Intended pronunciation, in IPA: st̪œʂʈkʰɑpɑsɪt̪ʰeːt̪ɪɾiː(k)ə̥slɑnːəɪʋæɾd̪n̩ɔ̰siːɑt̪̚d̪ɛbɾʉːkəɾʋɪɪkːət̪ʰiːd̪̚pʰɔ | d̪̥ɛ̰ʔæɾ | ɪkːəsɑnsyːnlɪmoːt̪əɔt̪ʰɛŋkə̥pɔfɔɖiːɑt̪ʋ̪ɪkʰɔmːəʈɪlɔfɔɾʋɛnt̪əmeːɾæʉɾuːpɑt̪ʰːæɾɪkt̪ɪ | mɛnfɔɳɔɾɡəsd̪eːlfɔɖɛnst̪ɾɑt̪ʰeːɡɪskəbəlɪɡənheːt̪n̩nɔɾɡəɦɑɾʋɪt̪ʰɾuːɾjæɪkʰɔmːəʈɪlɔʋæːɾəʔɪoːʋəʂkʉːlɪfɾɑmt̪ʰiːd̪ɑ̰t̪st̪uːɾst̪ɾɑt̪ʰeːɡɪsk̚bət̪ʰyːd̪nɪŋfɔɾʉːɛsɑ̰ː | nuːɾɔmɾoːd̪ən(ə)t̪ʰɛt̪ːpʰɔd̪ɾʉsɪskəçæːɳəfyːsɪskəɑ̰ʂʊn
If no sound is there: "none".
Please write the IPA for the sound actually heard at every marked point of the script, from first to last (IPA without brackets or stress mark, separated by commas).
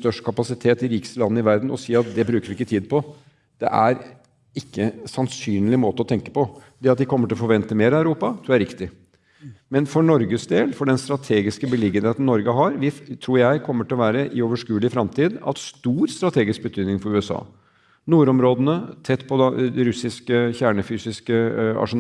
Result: k, ə